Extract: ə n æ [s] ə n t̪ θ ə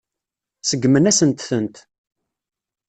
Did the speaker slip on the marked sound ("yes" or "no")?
no